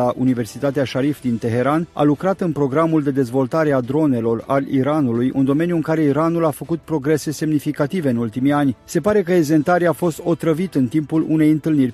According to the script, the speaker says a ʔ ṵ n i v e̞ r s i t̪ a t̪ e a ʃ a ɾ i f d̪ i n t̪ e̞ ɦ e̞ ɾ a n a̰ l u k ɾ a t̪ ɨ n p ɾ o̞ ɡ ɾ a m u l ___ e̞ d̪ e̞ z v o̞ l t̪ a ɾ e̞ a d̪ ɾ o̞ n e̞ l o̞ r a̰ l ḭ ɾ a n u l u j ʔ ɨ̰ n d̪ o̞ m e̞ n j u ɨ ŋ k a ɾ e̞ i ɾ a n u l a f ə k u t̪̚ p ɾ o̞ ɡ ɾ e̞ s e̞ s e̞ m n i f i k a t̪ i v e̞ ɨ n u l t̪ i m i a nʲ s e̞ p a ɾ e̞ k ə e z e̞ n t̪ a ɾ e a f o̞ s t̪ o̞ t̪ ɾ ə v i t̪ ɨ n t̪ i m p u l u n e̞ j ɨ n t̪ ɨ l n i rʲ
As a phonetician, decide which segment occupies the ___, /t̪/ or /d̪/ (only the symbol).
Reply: d̪